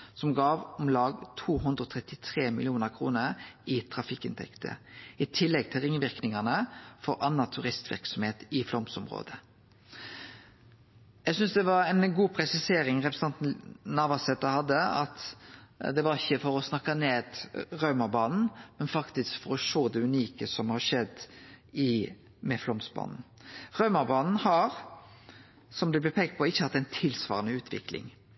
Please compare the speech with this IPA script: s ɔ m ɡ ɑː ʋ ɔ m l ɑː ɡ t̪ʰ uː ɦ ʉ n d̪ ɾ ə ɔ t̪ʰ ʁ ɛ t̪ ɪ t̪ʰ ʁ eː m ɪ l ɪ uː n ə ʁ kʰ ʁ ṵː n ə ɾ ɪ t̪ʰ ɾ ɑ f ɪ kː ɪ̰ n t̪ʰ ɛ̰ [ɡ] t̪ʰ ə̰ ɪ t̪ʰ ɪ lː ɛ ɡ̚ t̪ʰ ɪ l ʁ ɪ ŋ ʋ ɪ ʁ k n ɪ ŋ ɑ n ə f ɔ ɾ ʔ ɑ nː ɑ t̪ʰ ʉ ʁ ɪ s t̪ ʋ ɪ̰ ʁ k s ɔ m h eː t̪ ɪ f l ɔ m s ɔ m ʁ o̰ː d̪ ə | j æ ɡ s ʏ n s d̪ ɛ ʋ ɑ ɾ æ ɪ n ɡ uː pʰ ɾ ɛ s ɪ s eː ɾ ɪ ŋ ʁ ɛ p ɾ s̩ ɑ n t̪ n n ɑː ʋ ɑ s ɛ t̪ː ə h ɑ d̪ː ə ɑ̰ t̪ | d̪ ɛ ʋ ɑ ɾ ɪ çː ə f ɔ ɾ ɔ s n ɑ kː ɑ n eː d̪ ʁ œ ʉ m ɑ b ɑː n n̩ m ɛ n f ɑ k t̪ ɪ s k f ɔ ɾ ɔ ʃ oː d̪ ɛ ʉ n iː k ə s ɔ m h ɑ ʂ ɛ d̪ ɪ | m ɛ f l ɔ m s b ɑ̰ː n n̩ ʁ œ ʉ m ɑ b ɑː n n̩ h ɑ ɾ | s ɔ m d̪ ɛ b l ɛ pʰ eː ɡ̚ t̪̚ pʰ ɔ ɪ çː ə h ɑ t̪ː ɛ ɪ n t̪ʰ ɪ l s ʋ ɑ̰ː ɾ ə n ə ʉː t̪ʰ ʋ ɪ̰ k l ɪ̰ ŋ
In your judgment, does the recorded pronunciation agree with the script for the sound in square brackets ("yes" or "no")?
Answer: no